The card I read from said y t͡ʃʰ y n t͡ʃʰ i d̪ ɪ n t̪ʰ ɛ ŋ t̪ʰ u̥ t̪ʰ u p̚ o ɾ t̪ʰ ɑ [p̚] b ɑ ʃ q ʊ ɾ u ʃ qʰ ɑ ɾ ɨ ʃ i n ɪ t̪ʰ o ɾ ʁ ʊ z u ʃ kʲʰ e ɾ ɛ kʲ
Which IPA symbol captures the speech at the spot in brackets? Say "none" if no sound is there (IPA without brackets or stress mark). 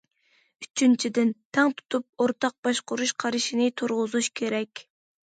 q̚